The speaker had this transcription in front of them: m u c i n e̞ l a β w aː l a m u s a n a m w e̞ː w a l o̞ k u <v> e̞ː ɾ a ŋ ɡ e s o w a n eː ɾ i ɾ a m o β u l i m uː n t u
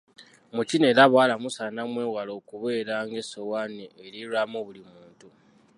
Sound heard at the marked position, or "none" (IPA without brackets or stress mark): β